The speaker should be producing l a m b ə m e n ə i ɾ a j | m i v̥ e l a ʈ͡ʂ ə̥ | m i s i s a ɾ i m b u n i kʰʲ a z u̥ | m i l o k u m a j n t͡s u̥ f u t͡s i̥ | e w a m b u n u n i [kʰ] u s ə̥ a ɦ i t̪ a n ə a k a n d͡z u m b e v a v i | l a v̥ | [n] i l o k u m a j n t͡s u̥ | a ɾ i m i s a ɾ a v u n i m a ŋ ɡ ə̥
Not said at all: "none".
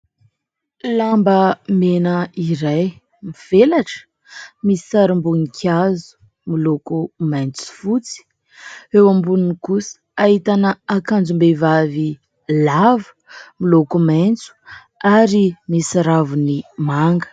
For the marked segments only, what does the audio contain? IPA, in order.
k, m

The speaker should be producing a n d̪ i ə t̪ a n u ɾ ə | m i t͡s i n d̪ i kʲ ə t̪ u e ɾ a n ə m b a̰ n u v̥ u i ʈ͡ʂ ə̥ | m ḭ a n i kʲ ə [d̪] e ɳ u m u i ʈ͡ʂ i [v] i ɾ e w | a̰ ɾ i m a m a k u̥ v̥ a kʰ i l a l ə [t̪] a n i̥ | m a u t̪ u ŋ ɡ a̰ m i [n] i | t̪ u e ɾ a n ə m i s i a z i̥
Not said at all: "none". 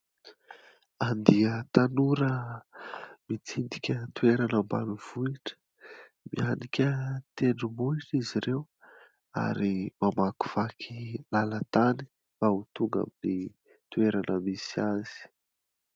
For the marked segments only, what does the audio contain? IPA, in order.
t̪, z, t̪, n

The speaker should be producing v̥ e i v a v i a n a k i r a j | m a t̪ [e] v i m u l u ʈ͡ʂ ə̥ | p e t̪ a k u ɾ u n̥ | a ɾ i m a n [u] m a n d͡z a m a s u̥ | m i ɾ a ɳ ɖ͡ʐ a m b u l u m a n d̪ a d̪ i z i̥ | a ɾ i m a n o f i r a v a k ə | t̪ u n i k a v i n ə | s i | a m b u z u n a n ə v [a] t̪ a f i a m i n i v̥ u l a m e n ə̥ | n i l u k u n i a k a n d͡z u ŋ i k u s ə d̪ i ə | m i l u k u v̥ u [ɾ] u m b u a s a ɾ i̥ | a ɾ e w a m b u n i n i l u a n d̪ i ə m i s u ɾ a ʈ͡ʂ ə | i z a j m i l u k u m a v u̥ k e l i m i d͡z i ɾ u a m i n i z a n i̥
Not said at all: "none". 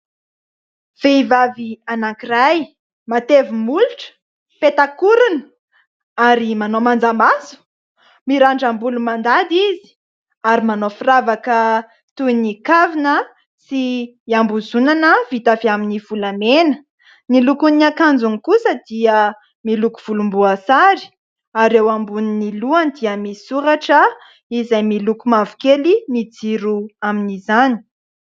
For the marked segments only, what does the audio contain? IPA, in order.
e, o, i, l

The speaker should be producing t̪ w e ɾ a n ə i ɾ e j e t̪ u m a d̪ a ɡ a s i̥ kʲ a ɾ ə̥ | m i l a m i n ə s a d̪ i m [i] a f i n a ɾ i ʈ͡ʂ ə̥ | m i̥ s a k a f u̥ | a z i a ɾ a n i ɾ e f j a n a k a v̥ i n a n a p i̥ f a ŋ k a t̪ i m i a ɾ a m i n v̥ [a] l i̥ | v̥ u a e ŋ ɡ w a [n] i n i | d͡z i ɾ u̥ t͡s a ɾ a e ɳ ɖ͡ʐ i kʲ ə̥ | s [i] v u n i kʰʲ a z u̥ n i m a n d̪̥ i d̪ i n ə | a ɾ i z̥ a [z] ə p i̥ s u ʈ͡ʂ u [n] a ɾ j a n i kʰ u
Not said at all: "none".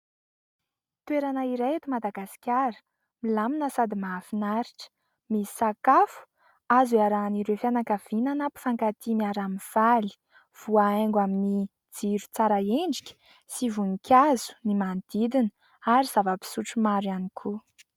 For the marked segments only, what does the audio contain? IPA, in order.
a, a, m, i, v, m

